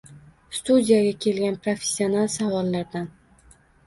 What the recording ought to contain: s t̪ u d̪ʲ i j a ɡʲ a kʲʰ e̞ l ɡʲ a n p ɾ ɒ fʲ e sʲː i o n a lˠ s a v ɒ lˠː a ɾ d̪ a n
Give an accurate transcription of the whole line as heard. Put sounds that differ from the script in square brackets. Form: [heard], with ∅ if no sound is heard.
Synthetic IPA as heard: s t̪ u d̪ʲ i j a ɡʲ a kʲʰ e̞ l ɡʲ a n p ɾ [o] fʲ e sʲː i o n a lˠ s a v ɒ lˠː a ɾ d̪ a n